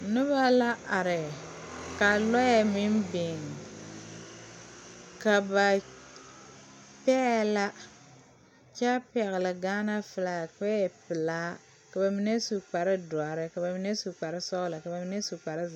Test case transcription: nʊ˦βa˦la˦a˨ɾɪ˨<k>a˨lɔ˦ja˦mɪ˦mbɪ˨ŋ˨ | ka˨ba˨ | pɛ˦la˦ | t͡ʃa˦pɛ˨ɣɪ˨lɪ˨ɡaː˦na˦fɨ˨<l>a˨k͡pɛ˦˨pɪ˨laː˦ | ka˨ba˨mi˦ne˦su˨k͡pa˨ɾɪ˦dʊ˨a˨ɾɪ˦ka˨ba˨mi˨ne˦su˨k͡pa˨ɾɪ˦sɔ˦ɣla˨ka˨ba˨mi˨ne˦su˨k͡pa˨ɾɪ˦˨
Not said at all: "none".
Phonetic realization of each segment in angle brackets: k, l

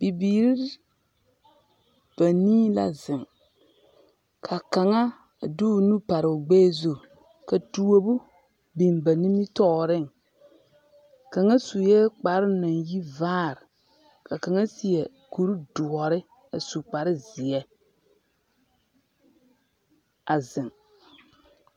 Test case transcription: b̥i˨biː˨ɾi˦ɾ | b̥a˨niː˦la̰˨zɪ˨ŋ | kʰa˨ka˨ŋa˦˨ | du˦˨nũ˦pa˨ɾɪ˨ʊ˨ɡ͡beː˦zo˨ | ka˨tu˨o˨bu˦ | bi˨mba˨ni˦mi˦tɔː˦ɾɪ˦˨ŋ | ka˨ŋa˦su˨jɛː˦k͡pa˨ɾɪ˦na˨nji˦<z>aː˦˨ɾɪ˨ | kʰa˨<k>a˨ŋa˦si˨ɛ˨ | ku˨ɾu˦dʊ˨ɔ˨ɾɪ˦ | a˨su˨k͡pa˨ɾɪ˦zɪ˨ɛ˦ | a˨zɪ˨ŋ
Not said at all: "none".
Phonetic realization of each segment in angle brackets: v, k

